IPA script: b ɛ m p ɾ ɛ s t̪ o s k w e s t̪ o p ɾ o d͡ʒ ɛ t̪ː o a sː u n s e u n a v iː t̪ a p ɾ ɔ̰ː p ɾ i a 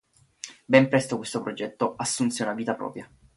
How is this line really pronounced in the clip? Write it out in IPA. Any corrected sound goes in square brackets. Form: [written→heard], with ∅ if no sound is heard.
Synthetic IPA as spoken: b ɛ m p ɾ ɛ s t̪ o [s→∅] k w e s t̪ o p ɾ o d͡ʒ ɛ t̪ː o a sː u n s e u n a v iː t̪ a p ɾ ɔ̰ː p ɾ [i→j] a